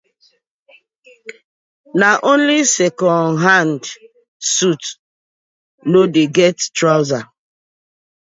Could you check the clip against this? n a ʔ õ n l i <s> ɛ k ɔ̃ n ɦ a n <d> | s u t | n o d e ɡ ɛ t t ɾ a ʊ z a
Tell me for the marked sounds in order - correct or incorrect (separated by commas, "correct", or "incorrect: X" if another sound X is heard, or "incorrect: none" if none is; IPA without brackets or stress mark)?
correct, correct